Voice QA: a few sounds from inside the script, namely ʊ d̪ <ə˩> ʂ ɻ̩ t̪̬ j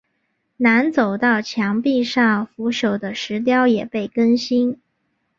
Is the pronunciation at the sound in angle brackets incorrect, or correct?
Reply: incorrect